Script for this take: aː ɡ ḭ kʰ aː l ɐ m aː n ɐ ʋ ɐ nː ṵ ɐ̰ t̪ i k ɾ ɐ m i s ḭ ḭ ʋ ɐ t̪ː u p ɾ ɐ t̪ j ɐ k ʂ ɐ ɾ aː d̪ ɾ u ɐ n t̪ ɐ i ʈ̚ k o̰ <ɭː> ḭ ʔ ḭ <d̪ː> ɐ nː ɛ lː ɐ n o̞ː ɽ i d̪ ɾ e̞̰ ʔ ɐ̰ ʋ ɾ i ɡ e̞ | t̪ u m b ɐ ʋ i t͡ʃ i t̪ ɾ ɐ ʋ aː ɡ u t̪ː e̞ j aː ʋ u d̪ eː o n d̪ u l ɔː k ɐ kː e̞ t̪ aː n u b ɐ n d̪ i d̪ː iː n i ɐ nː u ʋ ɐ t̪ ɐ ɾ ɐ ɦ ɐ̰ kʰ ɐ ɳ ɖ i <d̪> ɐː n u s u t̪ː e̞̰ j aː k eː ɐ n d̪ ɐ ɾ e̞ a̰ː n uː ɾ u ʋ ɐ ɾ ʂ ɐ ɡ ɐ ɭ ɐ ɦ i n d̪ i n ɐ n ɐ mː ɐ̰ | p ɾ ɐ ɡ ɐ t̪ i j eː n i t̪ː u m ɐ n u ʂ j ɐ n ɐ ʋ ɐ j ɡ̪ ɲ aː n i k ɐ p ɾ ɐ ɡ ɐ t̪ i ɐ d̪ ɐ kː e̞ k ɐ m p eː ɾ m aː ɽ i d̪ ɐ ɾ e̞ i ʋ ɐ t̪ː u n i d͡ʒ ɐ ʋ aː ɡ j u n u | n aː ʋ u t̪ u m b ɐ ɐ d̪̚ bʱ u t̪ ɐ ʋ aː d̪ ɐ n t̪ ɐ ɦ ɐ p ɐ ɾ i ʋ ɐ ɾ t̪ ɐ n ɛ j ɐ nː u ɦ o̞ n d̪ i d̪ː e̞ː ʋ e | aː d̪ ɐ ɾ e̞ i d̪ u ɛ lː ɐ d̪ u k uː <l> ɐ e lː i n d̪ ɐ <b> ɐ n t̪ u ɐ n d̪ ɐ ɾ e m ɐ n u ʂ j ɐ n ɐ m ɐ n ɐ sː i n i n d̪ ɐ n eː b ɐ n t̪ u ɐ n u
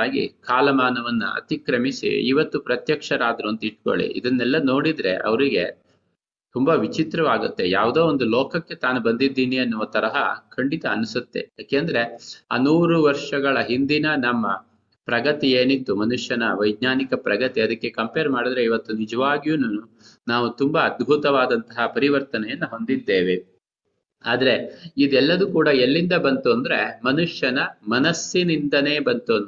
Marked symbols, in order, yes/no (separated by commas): no, no, no, no, yes